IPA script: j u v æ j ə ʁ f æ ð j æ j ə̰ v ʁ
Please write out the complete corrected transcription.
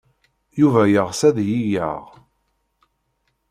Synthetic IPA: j u v æ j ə ʁ s æ ð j i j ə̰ ʁ